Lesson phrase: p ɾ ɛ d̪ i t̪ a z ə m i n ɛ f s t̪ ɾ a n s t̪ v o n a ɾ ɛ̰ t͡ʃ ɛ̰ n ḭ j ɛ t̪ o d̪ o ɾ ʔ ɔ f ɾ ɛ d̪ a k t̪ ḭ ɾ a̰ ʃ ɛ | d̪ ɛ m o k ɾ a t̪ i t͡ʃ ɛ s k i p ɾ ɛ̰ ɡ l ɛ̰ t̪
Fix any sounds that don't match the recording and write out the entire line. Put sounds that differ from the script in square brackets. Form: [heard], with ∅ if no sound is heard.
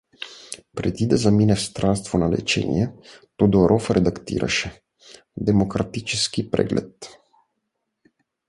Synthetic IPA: p ɾ ɛ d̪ i [d̪] a z [a] m i n ɛ f s t̪ ɾ a n s t̪ v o n a [l] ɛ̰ t͡ʃ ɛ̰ n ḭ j ɛ t̪ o d̪ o ɾ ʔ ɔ f ɾ ɛ d̪ a k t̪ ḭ ɾ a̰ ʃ ɛ | d̪ ɛ m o k ɾ a t̪ i t͡ʃ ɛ s k i p ɾ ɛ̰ ɡ l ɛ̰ t̪